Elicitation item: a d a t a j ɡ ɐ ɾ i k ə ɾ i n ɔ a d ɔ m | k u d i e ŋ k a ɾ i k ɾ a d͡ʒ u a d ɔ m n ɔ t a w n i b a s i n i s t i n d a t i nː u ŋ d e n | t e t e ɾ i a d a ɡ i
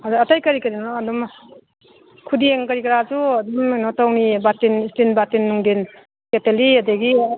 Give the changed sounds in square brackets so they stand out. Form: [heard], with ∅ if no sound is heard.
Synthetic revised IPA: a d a t a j [k] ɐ ɾ i k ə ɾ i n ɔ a d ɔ m | [kʰ] u d i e ŋ k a ɾ i k ɾ a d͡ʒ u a d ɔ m n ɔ t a w n i b a [t] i n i s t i n [b] a t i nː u ŋ d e n | [k] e t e [l] i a d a ɡ i